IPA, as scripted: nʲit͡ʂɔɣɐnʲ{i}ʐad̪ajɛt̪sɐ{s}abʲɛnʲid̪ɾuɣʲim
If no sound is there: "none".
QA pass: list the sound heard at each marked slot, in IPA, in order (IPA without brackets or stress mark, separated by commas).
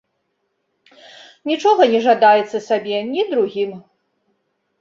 ɛ, s